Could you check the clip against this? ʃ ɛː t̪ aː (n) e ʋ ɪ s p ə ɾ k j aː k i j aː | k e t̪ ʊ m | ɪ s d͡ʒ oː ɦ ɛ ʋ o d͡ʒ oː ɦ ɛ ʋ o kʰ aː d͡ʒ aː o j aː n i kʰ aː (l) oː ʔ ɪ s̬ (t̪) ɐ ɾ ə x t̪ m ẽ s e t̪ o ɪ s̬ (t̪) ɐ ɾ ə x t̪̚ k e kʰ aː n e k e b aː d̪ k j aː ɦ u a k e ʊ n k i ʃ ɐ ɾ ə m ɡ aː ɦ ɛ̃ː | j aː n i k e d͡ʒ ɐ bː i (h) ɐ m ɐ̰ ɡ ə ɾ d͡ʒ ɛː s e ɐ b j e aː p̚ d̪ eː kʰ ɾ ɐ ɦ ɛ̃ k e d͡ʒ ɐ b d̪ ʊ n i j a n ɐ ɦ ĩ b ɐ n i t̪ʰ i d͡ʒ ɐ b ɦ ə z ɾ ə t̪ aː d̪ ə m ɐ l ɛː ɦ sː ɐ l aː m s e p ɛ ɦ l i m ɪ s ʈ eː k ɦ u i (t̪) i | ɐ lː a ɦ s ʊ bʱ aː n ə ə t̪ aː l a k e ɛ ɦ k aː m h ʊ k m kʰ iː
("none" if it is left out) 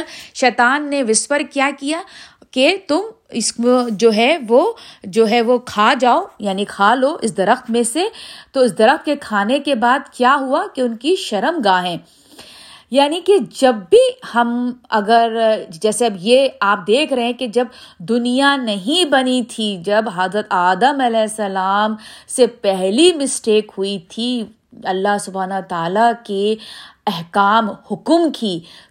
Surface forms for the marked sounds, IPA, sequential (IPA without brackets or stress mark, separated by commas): nː, l, d̪, d̪, h, t̪ʰ